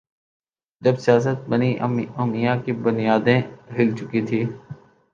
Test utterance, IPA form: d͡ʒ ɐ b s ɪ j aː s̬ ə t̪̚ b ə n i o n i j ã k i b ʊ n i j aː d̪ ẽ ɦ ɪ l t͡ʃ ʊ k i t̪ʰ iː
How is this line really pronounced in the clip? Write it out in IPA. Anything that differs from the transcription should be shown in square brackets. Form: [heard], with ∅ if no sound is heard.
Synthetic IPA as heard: d͡ʒ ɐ b s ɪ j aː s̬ ə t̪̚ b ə n i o [m] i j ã k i b ʊ n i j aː d̪ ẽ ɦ ɪ l t͡ʃ ʊ k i t̪ʰ iː